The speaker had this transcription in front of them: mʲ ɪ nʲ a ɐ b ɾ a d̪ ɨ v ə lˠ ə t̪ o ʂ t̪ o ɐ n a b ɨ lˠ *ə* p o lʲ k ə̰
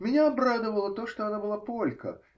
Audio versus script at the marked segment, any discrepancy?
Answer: yes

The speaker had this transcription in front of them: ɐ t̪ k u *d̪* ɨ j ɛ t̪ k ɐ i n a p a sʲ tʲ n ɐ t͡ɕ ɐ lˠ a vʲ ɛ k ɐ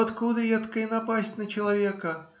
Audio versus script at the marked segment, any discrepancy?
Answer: no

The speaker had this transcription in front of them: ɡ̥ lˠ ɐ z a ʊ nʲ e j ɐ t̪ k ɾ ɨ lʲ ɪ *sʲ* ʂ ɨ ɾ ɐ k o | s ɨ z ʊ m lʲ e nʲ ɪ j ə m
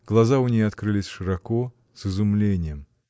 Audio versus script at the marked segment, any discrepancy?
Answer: no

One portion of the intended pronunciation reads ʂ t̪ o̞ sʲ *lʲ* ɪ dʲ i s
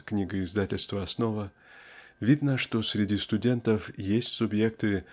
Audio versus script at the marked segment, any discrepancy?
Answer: yes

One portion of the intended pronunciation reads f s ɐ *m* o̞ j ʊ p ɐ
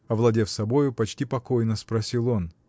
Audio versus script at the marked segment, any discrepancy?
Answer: yes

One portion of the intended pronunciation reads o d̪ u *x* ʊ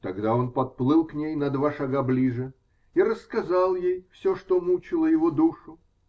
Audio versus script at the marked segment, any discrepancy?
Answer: yes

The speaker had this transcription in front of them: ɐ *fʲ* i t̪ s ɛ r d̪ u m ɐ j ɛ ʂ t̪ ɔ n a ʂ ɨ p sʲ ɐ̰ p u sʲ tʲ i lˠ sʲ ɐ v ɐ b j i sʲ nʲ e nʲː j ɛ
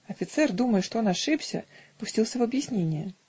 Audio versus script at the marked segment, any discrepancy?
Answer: no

